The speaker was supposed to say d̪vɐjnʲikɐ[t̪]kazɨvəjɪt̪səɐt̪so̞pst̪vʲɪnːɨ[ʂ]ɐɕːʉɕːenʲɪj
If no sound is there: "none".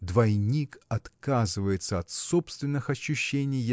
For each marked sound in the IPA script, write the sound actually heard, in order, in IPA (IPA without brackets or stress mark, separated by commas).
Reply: t̪, x